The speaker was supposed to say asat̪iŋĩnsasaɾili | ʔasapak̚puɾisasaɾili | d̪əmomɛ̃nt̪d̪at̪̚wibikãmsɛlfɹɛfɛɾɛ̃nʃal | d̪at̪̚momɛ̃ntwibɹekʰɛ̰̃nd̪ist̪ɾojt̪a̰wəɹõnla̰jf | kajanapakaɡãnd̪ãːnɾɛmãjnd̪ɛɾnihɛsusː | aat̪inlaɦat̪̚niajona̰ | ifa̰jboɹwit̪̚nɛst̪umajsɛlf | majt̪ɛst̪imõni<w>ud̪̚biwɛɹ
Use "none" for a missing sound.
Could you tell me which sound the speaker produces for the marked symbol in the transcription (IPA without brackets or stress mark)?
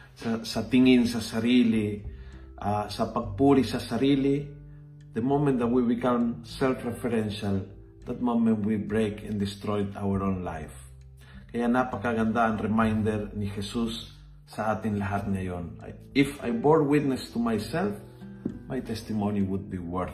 w